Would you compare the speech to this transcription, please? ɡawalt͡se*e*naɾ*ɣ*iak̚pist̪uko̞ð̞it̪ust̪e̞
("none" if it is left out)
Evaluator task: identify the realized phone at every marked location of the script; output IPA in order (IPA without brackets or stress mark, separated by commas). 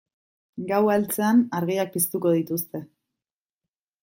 a, ɣ